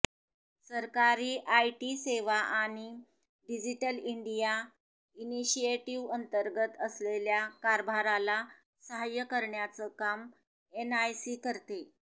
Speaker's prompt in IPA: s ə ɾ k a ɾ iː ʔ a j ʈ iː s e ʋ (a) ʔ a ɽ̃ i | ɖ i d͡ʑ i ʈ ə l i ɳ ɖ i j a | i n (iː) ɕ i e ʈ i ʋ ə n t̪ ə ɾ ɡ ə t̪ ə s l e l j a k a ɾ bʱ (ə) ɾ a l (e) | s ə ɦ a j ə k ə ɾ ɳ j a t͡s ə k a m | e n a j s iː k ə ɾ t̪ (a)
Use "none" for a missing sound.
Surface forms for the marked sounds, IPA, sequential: a, i, a, a, e

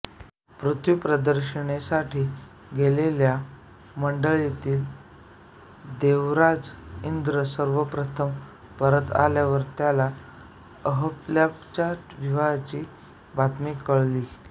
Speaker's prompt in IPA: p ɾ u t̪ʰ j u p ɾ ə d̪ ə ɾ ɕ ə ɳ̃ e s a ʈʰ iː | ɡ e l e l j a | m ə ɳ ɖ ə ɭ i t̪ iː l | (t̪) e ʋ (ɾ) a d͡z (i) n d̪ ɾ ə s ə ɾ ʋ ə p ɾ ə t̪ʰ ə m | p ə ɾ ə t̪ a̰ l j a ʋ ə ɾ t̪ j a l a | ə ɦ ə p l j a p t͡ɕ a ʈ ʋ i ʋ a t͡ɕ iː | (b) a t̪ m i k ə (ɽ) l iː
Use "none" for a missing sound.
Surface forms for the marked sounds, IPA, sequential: d̪, ɾ, i, b, ɭ

